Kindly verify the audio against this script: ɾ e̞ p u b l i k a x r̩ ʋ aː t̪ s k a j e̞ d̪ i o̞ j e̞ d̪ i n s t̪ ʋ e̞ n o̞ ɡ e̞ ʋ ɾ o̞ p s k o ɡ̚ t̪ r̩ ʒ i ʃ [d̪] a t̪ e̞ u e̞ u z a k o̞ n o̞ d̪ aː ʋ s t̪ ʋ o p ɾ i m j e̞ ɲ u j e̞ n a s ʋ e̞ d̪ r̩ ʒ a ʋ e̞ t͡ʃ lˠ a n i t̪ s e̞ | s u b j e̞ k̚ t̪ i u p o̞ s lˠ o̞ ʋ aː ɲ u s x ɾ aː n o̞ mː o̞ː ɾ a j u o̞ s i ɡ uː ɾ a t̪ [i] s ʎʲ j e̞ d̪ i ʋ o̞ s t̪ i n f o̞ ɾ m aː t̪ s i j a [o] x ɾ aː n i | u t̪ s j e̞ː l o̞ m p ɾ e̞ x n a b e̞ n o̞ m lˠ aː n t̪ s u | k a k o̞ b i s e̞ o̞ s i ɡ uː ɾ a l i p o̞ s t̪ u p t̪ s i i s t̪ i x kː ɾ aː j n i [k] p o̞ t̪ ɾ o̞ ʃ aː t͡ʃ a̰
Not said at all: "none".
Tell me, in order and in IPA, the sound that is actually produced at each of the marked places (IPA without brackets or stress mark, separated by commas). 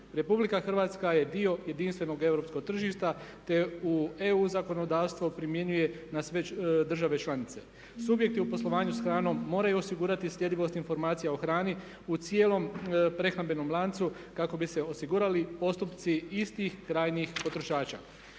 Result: t̪, i, o, x